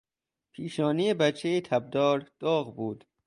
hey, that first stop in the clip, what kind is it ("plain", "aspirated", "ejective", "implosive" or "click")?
aspirated